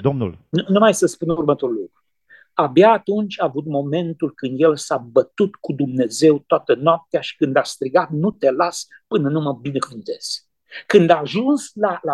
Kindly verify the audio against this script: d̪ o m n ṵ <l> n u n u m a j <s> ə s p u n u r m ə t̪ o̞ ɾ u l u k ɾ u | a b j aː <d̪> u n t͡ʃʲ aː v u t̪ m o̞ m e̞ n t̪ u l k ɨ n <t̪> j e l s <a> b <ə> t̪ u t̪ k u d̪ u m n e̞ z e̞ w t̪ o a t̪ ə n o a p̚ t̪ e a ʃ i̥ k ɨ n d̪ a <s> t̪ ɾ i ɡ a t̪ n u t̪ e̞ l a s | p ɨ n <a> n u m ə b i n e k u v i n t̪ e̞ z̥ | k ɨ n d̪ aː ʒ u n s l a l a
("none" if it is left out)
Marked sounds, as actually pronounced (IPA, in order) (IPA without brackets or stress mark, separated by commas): l, s, t̪, d̪, a, ə, s, ə